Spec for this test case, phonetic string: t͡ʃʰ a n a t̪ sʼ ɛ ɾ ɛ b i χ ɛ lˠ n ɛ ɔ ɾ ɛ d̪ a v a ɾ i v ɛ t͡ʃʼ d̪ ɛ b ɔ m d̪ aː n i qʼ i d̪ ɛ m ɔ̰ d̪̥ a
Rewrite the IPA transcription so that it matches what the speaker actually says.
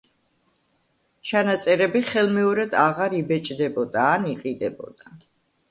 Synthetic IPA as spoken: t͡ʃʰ a n a t̪ sʼ ɛ ɾ ɛ b i χ ɛ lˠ m ɛ ɔ ɾ ɛ d̪ a ʁ a ɾ i b ɛ t͡ʃʼ d̪ ɛ b ɔ d̪ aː n i qʼ i d̪ ɛ b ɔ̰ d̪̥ a